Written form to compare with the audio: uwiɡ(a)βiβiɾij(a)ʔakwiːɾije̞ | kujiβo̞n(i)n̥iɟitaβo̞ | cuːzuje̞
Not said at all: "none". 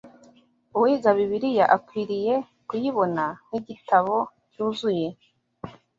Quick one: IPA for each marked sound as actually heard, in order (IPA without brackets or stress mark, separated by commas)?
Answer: a, a, a